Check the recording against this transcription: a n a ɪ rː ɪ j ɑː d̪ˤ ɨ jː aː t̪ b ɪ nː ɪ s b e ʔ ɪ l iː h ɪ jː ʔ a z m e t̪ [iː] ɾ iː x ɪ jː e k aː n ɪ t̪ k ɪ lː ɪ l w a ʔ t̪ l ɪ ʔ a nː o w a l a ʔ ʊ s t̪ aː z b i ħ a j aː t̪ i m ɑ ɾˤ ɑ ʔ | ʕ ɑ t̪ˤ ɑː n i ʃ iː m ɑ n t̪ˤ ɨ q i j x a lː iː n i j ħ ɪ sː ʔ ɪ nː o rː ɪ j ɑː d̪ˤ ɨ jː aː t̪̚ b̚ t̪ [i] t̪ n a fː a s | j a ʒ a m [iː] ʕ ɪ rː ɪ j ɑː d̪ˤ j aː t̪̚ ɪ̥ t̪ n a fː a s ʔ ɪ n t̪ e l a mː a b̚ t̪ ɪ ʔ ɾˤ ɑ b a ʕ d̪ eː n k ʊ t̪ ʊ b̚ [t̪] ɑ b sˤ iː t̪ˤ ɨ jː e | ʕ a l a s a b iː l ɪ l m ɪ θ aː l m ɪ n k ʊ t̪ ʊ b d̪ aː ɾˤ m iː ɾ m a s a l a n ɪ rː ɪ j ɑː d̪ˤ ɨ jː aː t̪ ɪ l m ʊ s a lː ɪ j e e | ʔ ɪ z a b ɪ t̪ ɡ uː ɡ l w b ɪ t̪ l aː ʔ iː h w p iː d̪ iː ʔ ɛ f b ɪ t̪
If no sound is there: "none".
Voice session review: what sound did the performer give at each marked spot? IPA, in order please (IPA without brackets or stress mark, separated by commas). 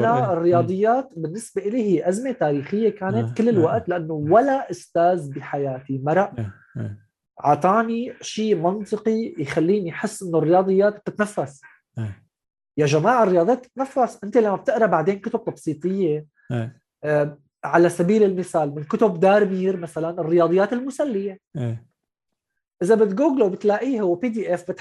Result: aː, ɪ, aː, t̪